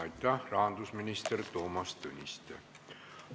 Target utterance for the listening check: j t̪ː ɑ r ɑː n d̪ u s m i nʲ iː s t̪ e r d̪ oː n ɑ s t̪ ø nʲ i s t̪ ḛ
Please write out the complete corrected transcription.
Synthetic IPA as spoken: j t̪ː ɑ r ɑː n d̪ u s m i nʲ i s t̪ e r t̪ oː m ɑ s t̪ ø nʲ i s t̪ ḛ

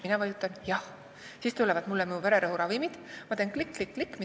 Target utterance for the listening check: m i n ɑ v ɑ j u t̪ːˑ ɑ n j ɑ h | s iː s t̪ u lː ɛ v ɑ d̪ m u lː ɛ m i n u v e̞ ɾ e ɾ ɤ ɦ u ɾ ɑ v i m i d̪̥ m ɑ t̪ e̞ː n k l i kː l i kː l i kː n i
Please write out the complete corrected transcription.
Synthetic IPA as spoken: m i n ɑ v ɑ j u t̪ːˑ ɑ n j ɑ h | s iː s t̪ u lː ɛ v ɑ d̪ m u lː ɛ m i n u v e̞ ɾ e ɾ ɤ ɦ u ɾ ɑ v i m i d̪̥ m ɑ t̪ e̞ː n k l i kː l i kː l i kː m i

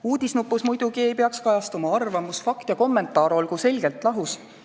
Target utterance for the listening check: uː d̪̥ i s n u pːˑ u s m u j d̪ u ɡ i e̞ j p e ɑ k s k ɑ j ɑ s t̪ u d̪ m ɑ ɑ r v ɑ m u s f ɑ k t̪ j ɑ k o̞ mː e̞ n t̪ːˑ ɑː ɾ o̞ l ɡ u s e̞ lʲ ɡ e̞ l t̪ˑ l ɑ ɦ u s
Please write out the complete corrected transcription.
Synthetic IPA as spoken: uː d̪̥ i s n u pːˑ u s m u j d̪ u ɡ i e̞ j p e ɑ k s k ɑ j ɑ s t̪ u m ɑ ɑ r v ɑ m u s f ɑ k t̪ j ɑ k o̞ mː e̞ n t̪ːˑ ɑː ɾ o̞ l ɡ u s e̞ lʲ ɡ e̞ l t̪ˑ l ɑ ɦ u s

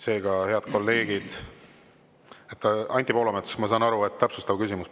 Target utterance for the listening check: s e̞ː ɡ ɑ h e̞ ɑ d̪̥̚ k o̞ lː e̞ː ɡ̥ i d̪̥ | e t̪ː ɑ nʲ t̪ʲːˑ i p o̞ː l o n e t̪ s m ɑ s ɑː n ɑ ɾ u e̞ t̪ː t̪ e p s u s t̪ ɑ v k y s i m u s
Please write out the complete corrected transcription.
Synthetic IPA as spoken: s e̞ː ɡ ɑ h e̞ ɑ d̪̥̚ k o̞ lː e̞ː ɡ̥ i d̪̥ | e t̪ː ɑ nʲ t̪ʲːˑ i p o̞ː l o m e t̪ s m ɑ s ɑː n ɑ ɾ u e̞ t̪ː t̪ æ p s u s t̪ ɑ v k y s i m u s

